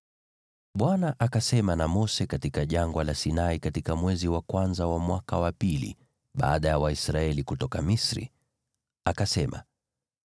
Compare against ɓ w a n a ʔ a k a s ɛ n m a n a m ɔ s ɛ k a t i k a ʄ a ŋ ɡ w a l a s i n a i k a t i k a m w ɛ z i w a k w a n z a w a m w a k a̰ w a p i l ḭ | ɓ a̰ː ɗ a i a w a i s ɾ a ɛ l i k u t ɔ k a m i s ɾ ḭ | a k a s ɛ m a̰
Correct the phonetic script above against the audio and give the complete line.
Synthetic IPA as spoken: ɓ w a n a ʔ a k a s ɛ m a n a m ɔ s ɛ k a t i k a ʄ a ŋ ɡ w a l a s i n a i k a t i k a m w ɛ z i w a k w a n z a w a m w a k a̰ w a p i l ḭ | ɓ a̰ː ɗ a j a w a i s ɾ a ɛ l i k u t ɔ k a m i s ɾ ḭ | a k a s ɛ m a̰